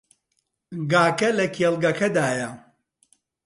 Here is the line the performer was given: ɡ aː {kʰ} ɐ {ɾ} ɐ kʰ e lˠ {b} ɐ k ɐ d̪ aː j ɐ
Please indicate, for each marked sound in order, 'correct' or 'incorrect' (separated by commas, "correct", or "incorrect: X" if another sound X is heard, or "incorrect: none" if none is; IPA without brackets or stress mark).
incorrect: k, incorrect: l, incorrect: ɡ